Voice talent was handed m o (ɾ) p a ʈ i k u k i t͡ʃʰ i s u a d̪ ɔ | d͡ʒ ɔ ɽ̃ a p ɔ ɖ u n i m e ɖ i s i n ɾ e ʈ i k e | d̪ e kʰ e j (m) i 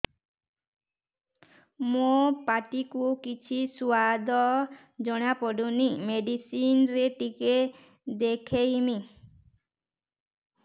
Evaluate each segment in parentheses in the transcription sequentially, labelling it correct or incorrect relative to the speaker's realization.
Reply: incorrect, correct

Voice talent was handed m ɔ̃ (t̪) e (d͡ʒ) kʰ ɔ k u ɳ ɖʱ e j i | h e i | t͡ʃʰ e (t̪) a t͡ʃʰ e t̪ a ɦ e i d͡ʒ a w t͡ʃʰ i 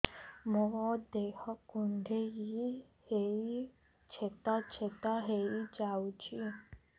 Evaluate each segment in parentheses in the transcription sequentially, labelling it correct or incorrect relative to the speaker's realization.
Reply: incorrect, incorrect, correct

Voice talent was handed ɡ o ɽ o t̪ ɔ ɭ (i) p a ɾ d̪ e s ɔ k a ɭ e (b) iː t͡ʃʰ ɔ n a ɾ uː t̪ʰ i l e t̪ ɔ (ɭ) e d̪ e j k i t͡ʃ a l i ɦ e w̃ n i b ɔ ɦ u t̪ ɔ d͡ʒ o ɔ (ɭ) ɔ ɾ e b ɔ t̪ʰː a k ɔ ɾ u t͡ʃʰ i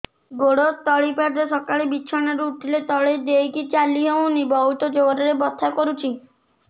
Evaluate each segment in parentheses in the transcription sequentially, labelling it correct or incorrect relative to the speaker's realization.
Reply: correct, correct, correct, incorrect

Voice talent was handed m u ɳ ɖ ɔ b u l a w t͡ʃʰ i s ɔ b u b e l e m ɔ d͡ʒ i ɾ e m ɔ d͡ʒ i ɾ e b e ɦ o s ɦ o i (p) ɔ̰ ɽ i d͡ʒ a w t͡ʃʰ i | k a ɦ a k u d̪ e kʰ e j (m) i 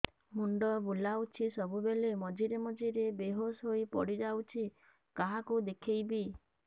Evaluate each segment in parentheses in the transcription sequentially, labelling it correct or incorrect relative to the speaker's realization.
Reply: correct, incorrect

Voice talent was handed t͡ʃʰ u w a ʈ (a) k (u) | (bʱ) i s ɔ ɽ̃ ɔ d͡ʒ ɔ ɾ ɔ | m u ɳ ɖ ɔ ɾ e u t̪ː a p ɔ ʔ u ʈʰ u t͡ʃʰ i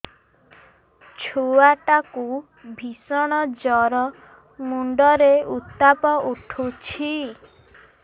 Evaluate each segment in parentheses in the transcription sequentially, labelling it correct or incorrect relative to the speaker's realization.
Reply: correct, correct, correct

